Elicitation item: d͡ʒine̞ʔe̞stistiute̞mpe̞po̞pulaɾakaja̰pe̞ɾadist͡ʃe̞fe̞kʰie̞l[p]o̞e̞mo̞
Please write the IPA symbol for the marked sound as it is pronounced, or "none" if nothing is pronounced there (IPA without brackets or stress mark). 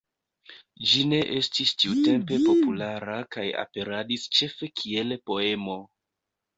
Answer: p